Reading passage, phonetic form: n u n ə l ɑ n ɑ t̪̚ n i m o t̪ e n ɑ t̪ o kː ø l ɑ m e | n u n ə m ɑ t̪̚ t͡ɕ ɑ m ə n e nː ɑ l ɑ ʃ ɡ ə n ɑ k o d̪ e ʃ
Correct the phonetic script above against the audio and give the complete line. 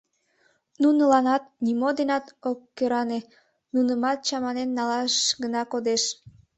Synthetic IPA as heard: n u n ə l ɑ n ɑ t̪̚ n i m o d̪ e n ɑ t̪ o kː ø ɾ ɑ n e | n u n ə m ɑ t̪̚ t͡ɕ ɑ m ɑ n e nː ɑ l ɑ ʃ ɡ ə n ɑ k o d̪ e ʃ